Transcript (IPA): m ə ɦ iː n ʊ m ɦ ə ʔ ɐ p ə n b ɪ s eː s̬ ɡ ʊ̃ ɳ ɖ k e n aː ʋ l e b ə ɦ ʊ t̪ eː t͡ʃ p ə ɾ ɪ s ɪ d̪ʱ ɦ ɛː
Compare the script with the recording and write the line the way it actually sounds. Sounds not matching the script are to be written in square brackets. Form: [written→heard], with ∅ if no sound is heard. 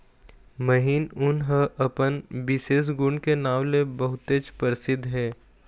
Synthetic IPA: m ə ɦ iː n ʊ [m→n] ɦ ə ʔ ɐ p ə n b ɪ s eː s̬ ɡ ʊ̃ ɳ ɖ k e n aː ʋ l e b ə ɦ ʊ t̪ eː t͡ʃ p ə ɾ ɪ s ɪ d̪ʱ ɦ ɛː